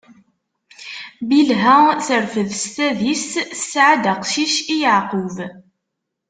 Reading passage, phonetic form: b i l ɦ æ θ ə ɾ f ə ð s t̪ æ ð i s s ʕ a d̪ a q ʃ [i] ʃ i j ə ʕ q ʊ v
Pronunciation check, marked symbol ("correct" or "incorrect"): correct